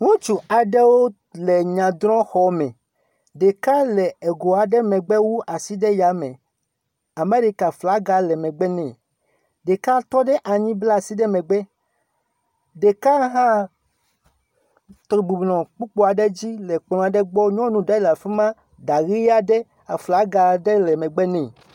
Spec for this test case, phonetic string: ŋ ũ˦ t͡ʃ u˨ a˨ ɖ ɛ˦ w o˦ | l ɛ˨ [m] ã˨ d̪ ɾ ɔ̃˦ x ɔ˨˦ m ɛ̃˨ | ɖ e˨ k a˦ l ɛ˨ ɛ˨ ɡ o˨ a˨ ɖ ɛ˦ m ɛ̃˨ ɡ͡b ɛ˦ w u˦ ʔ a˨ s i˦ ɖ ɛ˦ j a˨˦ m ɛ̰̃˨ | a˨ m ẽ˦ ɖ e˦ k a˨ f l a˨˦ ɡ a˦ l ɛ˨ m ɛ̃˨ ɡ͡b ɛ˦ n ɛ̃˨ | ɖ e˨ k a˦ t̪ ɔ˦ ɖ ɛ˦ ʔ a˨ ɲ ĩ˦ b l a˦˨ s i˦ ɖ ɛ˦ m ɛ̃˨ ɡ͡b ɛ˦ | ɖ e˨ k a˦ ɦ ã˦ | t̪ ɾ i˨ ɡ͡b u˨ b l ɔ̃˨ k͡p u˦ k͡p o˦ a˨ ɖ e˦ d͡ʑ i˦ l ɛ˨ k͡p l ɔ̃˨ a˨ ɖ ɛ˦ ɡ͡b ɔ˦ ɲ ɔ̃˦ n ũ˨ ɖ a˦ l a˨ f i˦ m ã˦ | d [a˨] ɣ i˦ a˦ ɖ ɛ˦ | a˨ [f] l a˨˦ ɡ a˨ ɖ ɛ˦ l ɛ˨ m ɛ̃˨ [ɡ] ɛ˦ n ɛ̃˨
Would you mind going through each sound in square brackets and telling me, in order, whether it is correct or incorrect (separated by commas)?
incorrect, correct, correct, incorrect